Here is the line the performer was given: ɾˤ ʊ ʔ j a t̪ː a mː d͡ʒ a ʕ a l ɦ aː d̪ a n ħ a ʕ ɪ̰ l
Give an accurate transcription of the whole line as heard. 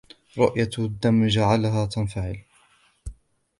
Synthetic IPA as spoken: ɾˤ ʊ ʔ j a d̪ː a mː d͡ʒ a ʕ a l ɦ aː t̪ a n f a ʕ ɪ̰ l